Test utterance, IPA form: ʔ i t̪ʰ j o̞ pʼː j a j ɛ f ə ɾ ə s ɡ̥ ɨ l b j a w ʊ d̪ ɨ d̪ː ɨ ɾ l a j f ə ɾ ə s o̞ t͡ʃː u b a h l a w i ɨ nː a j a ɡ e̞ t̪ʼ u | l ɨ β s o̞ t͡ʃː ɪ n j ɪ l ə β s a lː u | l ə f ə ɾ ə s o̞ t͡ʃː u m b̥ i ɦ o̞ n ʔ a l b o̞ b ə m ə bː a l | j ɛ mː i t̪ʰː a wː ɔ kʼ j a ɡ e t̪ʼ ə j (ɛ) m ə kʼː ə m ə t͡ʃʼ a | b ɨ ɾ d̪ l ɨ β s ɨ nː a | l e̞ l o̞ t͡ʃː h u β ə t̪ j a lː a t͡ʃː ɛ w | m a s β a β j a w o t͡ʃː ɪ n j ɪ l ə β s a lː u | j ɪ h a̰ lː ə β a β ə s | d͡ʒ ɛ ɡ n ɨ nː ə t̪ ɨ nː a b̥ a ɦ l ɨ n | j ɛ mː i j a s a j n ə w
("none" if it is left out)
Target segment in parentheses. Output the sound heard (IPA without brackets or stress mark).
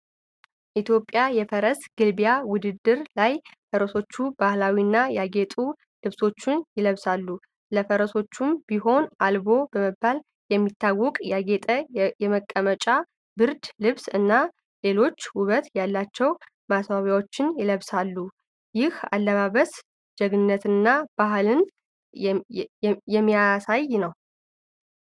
ɛ